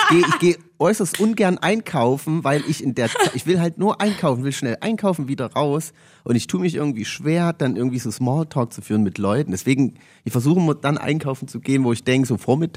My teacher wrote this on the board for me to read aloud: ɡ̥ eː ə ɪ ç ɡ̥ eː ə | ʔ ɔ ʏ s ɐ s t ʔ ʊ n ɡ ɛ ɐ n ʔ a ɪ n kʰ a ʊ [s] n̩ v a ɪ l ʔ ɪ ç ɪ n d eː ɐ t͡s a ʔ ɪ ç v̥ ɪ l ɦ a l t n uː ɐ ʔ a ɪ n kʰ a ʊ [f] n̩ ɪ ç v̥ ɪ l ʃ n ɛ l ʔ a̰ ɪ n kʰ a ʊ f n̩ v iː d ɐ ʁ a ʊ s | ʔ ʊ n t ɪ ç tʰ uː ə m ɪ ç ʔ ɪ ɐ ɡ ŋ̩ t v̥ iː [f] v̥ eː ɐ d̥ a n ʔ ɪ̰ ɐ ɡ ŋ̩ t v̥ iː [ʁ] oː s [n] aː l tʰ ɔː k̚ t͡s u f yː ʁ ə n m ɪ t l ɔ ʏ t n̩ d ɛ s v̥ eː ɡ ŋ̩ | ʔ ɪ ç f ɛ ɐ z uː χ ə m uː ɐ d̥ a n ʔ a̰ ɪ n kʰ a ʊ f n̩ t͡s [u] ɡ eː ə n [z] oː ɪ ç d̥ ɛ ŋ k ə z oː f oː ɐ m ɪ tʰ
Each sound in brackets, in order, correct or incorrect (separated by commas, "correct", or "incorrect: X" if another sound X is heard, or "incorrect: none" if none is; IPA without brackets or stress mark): incorrect: f, correct, incorrect: ʃ, incorrect: z, incorrect: m, correct, incorrect: v